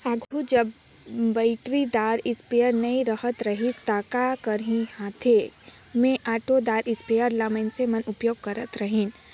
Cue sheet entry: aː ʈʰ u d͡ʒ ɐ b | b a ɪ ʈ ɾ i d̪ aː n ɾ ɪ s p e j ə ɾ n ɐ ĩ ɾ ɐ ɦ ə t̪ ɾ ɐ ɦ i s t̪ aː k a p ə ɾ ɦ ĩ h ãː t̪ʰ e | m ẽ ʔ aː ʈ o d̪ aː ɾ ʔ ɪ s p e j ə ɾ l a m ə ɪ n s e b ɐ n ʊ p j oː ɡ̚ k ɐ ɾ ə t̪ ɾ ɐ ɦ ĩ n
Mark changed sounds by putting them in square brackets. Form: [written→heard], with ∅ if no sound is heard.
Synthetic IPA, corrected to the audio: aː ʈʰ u d͡ʒ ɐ b | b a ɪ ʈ ɾ i d̪ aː [n→∅] ɾ ɪ s p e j ə ɾ n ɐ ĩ ɾ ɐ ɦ ə t̪ ɾ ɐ ɦ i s t̪ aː k a [p→k] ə ɾ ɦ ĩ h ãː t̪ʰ e | m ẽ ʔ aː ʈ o d̪ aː ɾ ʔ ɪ s p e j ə ɾ l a m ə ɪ n s e [b→m] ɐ n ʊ p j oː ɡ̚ k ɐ ɾ ə t̪ ɾ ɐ ɦ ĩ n